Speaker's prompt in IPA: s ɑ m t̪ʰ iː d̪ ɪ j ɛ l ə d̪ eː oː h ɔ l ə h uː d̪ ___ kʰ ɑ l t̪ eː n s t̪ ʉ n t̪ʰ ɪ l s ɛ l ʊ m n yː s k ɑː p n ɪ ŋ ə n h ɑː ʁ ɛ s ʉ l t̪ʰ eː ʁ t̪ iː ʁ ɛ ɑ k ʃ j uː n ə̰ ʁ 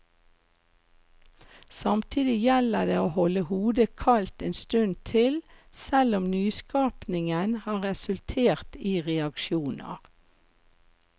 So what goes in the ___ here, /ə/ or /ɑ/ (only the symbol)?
ə